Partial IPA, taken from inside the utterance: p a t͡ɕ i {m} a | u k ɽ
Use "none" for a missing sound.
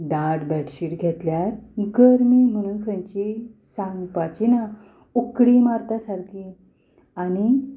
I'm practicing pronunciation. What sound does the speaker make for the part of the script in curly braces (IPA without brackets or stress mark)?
n